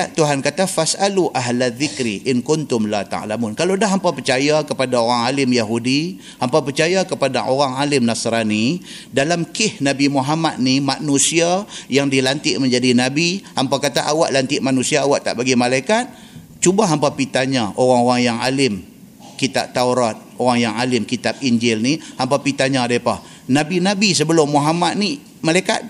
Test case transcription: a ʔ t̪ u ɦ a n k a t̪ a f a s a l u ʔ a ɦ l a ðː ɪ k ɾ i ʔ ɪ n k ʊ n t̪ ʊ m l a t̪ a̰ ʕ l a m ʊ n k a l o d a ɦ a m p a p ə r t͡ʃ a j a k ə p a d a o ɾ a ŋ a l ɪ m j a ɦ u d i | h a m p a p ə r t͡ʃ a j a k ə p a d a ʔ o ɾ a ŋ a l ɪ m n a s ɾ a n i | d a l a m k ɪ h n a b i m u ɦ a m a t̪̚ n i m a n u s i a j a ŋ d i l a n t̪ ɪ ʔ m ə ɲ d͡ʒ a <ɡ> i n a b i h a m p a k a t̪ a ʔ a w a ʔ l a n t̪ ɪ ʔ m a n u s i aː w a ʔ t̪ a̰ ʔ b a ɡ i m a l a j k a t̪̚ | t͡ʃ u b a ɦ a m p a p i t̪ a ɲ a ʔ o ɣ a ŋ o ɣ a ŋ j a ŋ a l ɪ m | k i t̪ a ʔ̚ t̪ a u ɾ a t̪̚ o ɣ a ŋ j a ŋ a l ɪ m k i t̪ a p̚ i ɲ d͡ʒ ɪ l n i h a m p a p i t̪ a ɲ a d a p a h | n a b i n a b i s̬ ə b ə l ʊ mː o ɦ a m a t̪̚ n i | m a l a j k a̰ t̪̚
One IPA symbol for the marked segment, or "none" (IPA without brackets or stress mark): d